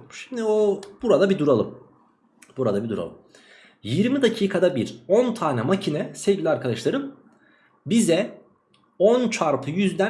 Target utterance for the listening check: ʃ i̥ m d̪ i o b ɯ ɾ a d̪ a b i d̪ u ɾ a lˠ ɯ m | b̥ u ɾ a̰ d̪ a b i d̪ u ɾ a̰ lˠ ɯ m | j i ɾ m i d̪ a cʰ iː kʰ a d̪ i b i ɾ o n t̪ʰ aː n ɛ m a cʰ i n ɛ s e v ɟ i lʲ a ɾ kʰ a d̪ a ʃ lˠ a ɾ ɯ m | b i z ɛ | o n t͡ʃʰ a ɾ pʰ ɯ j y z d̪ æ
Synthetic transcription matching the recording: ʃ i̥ m d̪ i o b u ɾ a d̪ a b i d̪ u ɾ a lˠ ɯ m | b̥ u ɾ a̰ d̪ a b i d̪ u ɾ a̰ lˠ ɯ m | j i ɾ m i d̪ a cʰ iː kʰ a d̪ a b i ɾ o n t̪ʰ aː n ɛ m a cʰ i n ɛ s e v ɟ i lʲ a ɾ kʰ a d̪ a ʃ lˠ a ɾ ɯ m | b i z ɛ | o n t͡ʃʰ a ɾ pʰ ɯ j y z d̪ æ